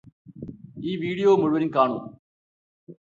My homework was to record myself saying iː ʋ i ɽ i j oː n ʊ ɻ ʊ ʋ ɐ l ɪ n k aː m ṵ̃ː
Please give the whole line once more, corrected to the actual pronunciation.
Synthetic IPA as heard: iː ʋ iː ɽ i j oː m ʊ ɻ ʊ ʋ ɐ ɾ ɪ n k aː ɳ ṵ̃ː